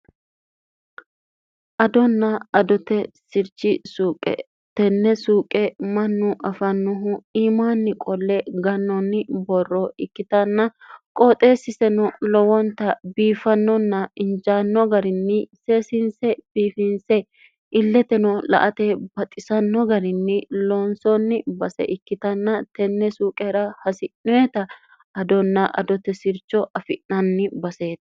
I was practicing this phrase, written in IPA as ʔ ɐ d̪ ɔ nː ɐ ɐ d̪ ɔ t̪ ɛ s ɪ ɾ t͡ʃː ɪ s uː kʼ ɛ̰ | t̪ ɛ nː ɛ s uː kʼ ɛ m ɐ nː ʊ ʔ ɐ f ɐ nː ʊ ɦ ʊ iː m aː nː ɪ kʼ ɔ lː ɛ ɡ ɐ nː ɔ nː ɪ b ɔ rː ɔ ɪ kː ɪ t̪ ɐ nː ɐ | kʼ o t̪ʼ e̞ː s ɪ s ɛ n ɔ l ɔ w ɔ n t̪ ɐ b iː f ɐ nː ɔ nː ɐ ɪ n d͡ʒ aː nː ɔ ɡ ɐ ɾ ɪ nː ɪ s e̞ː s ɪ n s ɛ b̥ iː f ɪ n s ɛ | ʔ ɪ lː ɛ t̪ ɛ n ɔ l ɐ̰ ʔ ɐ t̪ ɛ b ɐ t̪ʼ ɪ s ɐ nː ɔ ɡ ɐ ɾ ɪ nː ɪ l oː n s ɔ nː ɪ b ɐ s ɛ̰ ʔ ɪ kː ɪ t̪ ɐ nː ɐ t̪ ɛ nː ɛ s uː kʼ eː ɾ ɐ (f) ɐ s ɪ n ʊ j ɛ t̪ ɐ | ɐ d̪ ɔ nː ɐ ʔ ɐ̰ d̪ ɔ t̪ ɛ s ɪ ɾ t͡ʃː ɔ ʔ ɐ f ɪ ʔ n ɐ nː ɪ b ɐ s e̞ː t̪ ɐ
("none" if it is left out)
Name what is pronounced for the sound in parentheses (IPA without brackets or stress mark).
h